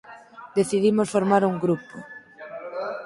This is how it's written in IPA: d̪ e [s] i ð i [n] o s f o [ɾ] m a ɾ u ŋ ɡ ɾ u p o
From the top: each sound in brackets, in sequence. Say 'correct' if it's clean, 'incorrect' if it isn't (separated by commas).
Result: incorrect, incorrect, correct